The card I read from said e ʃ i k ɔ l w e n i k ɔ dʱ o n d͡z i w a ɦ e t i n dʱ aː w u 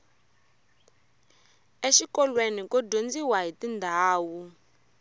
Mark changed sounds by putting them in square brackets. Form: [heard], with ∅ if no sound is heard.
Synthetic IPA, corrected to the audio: e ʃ i k ɔ l w e n i k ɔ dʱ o n d͡z i w a ɦ [i] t i n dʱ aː w u